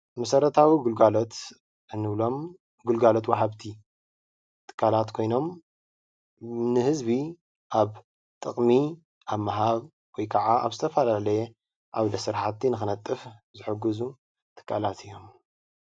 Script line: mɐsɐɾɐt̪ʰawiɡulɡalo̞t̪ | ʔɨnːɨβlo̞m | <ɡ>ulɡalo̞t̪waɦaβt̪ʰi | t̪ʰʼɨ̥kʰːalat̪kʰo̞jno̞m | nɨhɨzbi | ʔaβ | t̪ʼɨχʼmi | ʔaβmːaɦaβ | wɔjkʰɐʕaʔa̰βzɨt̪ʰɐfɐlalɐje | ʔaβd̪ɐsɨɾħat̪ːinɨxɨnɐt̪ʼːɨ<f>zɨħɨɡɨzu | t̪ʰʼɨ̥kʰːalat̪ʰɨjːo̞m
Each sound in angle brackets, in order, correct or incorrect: correct, correct

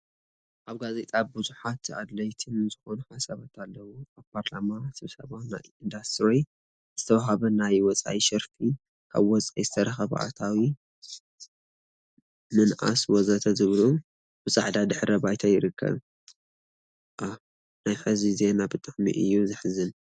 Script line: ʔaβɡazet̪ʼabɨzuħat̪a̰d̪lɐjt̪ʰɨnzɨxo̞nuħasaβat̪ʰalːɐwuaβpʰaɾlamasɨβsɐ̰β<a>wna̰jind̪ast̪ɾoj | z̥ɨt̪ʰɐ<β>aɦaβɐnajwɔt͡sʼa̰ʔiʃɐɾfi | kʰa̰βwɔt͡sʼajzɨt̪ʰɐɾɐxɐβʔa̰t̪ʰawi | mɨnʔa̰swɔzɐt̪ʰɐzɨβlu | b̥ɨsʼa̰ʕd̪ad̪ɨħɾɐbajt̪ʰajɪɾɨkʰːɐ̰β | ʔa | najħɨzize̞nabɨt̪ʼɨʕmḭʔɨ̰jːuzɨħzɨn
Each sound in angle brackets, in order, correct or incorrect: correct, incorrect: w

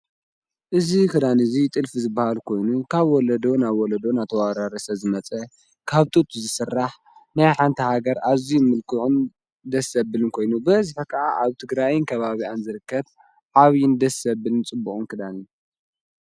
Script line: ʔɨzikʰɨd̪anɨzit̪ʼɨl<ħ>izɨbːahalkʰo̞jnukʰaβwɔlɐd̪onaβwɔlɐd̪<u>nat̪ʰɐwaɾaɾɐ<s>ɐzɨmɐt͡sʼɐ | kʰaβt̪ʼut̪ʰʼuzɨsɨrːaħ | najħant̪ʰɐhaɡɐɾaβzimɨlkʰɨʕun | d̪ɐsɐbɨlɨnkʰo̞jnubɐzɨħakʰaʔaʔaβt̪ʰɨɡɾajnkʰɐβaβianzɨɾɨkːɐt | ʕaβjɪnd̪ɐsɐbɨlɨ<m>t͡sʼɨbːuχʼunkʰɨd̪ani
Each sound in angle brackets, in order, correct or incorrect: incorrect: f, incorrect: o, correct, incorrect: n

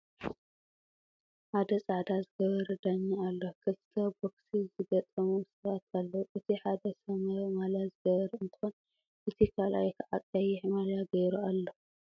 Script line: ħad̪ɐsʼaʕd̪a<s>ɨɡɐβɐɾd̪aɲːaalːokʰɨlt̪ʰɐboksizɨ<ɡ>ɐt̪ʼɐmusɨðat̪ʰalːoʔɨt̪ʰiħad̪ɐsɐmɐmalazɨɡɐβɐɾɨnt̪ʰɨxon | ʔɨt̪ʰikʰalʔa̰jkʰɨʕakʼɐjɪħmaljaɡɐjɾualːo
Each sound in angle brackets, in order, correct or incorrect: incorrect: z, correct

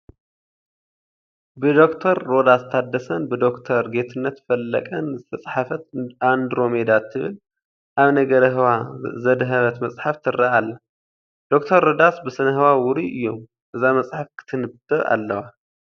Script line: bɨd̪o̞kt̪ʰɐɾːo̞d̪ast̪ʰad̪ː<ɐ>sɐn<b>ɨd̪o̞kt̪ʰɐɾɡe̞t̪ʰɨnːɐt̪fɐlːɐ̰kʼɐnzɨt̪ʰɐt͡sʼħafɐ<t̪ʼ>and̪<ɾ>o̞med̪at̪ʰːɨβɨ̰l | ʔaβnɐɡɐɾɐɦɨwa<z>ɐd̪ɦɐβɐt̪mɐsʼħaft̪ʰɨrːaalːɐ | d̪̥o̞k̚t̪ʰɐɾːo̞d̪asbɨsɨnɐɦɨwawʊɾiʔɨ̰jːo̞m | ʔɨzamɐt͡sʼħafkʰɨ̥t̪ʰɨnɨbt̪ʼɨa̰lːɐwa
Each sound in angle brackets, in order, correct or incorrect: correct, correct, incorrect: t̪, correct, correct

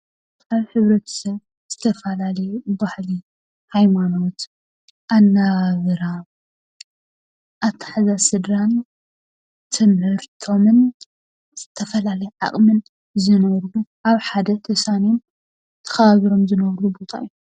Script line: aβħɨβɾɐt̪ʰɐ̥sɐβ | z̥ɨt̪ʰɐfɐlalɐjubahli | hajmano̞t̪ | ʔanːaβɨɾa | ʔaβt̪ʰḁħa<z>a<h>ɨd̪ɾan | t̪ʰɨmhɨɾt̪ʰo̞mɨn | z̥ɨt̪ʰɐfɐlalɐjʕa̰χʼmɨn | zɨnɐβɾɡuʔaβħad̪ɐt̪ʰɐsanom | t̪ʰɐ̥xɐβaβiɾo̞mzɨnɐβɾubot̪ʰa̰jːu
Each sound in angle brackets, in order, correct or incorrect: correct, incorrect: s

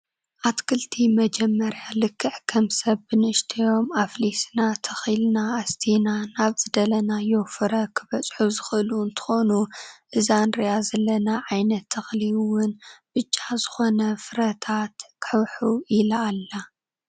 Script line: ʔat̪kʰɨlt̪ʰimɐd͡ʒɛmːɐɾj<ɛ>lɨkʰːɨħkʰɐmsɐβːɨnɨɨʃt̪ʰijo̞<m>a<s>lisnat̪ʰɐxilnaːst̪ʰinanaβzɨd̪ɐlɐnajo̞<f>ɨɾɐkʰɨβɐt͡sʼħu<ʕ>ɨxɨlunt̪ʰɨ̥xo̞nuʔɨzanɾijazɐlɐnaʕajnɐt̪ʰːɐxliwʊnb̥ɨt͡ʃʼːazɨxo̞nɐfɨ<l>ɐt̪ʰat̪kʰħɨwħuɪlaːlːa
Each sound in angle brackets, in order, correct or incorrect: incorrect: a, correct, incorrect: f, correct, incorrect: z, incorrect: ɾ

